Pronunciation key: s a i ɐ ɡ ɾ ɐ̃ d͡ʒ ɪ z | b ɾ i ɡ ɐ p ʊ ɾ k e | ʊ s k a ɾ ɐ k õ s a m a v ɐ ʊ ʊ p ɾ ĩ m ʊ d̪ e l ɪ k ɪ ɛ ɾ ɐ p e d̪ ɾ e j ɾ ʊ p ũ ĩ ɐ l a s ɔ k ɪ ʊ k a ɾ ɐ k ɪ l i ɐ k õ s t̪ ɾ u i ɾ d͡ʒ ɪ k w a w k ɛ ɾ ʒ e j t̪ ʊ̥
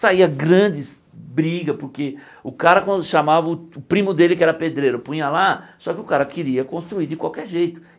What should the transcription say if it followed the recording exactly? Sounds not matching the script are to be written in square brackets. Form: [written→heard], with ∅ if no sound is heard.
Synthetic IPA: s a i ɐ ɡ ɾ ɐ̃ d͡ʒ ɪ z | b ɾ i ɡ ɐ p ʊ ɾ k e | ʊ [s→∅] k a ɾ ɐ k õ [s→ʃ] a m a v ɐ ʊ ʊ p ɾ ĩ m ʊ d̪ e l ɪ k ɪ ɛ ɾ ɐ p e d̪ ɾ e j ɾ ʊ p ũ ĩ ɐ l a s ɔ k ɪ ʊ k a ɾ ɐ k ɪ [l→ɾ] i ɐ k õ s t̪ ɾ u i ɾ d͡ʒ ɪ k w a w k ɛ ɾ ʒ e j t̪ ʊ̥